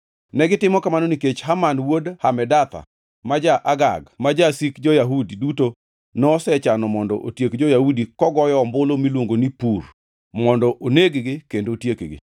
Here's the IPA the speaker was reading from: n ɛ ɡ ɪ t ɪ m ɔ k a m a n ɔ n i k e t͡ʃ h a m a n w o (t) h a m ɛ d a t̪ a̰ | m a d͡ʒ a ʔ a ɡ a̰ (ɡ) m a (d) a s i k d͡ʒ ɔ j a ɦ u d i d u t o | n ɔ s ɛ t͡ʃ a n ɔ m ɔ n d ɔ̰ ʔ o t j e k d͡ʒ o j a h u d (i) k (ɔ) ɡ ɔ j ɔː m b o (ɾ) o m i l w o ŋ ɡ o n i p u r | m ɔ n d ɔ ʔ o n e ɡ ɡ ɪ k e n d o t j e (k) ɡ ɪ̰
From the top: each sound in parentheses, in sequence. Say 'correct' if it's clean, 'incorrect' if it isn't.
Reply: incorrect, correct, incorrect, correct, correct, incorrect, correct

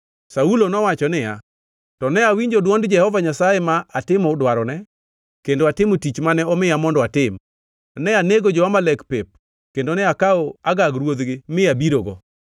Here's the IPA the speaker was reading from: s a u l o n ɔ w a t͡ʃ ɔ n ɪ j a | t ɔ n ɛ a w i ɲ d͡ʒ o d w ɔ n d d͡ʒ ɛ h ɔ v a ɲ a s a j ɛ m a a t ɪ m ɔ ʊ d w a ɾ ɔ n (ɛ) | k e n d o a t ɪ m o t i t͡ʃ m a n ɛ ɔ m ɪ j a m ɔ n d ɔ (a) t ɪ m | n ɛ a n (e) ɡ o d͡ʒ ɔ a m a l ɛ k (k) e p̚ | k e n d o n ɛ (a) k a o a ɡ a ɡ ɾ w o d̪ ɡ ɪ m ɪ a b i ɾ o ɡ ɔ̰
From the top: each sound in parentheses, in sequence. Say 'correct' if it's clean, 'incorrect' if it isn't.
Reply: correct, correct, correct, incorrect, correct

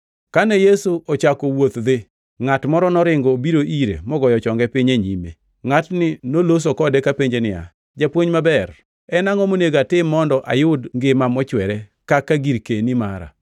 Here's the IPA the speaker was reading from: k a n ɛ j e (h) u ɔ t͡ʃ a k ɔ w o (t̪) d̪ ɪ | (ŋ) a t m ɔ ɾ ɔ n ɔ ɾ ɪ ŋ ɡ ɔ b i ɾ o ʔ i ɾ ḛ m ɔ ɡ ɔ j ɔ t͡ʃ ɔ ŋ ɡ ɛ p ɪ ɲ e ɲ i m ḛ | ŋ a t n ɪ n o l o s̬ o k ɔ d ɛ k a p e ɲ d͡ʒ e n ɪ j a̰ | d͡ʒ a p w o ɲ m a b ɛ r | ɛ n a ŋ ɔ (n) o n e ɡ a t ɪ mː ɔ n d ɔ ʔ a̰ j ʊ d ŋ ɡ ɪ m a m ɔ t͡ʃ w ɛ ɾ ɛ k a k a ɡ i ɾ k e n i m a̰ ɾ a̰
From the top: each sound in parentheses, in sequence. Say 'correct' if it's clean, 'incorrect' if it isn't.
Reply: incorrect, correct, correct, incorrect

